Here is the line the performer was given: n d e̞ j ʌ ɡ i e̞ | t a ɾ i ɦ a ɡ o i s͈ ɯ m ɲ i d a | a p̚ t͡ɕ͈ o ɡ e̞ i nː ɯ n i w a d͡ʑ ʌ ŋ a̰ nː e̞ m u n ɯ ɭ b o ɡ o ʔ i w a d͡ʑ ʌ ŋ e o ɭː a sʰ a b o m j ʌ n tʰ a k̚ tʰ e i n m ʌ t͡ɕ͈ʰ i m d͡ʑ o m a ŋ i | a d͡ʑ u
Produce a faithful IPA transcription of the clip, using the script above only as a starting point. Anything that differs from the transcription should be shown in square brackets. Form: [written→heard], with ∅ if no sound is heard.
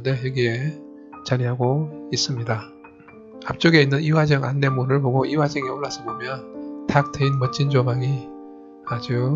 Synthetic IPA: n d e̞ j ʌ ɡ i e̞ | [t→t͡ɕ] a ɾ i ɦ a ɡ o i s͈ ɯ m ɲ i d a | a p̚ t͡ɕ͈ o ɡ e̞ i nː ɯ n i w a d͡ʑ ʌ ŋ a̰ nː e̞ m u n ɯ ɭ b o ɡ o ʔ i w a d͡ʑ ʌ ŋ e o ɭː a sʰ [a→ʌ] b o m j ʌ n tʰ a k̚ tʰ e i n m ʌ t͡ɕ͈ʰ i [m→n] d͡ʑ o m a ŋ i | a d͡ʑ u